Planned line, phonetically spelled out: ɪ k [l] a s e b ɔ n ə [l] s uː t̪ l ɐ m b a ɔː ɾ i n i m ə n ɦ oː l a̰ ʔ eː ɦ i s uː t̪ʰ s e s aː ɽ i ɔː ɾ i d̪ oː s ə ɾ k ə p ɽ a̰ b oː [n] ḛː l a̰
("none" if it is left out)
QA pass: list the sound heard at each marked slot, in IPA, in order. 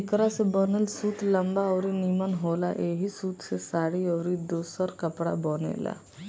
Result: ɾ, l, n

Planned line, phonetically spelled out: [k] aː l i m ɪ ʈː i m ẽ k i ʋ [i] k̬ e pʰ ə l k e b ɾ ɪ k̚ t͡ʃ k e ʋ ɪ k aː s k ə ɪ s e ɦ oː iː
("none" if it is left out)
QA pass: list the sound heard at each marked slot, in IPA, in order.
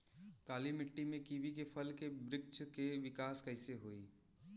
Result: k, i

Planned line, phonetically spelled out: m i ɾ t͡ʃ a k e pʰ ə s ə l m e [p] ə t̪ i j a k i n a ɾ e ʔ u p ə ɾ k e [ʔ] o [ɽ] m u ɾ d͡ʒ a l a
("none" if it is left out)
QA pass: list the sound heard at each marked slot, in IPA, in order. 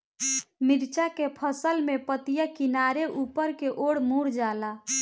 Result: p, ʔ, ɽ

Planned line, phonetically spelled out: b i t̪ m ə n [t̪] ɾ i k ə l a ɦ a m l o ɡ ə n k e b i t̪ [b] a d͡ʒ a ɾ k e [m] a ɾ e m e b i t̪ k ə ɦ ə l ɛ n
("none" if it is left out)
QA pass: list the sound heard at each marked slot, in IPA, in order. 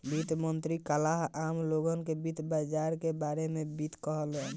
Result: t̪, b, b

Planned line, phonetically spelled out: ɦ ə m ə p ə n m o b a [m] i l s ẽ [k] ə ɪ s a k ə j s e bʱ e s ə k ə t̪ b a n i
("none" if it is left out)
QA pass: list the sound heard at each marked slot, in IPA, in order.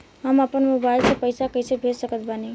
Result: none, p

